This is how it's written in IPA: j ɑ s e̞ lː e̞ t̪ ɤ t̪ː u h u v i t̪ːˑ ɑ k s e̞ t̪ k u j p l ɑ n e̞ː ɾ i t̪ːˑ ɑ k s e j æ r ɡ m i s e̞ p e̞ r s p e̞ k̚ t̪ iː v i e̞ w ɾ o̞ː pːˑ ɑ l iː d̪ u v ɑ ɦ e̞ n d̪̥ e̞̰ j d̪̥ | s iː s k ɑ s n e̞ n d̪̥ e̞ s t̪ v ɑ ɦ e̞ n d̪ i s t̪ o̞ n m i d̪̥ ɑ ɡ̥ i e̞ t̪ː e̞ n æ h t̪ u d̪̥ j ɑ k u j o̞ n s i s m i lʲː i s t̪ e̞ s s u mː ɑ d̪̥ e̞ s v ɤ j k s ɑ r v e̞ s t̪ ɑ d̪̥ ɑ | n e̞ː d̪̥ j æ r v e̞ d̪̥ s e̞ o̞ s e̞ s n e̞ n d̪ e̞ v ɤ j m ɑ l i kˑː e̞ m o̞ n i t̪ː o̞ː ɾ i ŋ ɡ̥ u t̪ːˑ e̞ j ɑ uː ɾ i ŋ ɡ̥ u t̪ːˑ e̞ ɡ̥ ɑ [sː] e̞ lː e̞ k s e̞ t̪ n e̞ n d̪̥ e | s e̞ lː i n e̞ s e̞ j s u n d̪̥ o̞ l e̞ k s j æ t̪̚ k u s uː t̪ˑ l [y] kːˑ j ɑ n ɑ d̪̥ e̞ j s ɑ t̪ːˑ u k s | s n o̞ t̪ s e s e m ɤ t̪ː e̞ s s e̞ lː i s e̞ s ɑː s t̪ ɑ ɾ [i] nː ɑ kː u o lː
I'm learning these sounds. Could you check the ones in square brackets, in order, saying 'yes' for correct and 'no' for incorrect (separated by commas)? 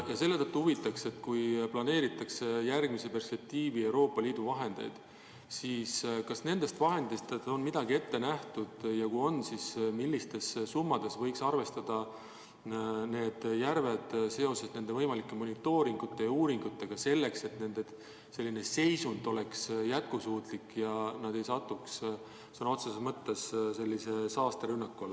no, no, no